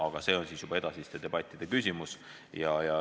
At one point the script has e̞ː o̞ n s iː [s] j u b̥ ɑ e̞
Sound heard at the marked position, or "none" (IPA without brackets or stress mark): s